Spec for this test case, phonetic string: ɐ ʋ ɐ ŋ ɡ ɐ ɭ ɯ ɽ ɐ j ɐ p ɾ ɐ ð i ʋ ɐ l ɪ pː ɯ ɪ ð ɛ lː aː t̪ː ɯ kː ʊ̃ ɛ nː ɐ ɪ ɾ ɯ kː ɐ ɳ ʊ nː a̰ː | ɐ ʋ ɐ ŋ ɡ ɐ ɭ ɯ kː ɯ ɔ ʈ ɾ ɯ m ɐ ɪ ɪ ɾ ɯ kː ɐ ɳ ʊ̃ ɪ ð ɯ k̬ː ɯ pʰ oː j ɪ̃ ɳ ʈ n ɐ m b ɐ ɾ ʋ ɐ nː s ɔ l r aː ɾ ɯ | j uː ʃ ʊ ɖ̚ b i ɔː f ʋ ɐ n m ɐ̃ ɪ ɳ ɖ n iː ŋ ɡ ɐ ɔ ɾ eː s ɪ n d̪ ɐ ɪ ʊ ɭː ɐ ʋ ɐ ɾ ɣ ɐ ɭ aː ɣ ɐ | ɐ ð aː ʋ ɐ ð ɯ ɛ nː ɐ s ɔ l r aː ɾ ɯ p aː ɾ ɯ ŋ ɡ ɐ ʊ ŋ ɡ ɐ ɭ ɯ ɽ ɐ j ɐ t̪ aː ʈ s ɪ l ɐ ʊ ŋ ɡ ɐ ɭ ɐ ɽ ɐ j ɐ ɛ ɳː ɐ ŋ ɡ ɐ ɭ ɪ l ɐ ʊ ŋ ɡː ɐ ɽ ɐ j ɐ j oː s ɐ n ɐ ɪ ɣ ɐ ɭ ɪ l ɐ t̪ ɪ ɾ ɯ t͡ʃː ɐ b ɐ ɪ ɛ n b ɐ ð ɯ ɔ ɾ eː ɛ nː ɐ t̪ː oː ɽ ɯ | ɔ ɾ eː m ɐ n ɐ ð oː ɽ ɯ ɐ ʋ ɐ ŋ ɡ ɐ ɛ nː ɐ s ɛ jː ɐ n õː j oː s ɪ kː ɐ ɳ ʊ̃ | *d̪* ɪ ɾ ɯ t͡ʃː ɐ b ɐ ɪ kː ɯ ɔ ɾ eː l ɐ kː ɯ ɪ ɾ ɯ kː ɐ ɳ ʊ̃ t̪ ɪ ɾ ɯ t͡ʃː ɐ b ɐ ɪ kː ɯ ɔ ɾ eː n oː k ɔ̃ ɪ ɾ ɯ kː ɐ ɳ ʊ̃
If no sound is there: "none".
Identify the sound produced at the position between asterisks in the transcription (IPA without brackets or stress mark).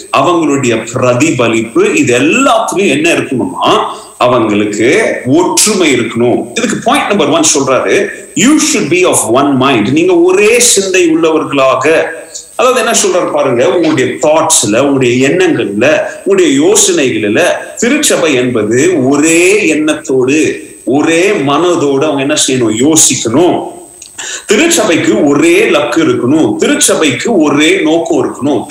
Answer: t̪